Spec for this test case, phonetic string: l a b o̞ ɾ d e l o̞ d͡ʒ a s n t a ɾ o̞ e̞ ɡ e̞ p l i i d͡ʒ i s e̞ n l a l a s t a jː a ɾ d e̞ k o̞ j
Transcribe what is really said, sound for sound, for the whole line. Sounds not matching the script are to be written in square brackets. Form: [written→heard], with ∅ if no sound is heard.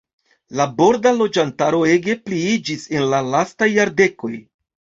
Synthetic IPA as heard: l a b o̞ ɾ d [e→a] l o̞ d͡ʒ a [s→∅] n t a ɾ o̞ e̞ ɡ e̞ p l i i d͡ʒ i s e̞ n l a l a s t a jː a ɾ d e̞ k o̞ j